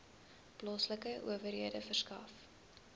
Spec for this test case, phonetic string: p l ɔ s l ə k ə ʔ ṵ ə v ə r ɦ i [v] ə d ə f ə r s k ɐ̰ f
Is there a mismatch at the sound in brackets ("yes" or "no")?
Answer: yes